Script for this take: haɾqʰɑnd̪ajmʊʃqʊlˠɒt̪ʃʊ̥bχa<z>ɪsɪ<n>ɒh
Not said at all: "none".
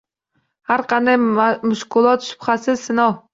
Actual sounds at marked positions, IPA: s, n

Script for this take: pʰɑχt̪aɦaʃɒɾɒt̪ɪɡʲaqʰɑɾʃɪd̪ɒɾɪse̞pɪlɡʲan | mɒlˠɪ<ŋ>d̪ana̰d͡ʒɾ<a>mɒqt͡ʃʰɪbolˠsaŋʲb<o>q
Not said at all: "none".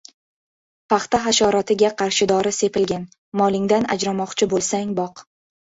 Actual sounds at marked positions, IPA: ŋ, a, ɒ

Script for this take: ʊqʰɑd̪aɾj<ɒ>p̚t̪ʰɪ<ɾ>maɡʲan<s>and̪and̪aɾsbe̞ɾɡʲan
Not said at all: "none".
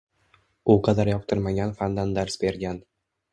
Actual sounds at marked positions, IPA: ɒ, ɾ, f

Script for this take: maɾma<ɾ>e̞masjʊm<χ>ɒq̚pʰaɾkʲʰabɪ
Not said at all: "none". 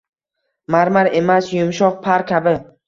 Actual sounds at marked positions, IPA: ɾ, ʃ

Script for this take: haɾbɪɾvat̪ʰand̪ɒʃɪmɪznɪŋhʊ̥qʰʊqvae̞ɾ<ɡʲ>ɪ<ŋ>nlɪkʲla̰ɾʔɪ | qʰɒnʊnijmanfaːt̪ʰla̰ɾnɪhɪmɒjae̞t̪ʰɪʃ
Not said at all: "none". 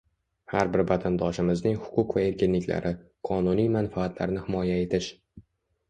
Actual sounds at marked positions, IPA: kʲ, none

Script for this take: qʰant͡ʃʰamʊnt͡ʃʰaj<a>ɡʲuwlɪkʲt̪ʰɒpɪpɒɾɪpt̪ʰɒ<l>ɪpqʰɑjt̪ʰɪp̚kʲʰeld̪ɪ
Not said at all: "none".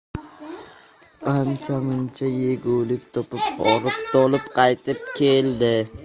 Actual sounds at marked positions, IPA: e, l

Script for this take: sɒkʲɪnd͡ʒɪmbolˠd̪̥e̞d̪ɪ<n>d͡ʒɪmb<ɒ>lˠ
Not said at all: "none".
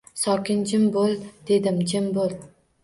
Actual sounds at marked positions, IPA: m, o

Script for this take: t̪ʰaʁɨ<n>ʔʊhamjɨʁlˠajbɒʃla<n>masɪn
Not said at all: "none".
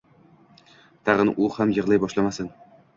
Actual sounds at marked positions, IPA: n, none

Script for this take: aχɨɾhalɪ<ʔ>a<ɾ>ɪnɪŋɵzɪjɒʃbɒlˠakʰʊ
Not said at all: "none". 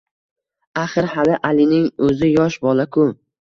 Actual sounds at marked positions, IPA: ʔ, l

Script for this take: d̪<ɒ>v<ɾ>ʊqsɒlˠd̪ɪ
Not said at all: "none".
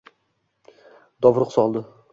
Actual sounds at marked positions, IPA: ɒ, ɾ

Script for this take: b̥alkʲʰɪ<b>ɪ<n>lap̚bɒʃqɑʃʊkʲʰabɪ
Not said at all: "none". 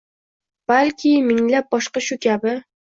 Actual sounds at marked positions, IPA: m, ŋ

